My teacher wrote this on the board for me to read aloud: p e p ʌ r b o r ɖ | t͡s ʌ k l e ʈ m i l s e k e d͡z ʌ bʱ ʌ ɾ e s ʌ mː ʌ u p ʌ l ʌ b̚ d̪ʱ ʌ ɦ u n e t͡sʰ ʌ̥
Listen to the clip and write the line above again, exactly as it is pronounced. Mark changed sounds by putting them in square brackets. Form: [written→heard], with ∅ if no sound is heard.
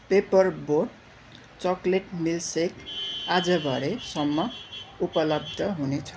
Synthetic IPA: p e p ʌ r b o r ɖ | t͡s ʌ k l e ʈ m i l s e k [e→a] d͡z ʌ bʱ ʌ ɾ e s ʌ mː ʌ u p ʌ l ʌ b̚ d̪ʱ ʌ ɦ u n e t͡sʰ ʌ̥